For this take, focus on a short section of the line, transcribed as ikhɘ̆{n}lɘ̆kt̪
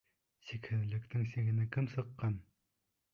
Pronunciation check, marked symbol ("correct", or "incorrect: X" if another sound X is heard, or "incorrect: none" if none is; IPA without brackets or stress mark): correct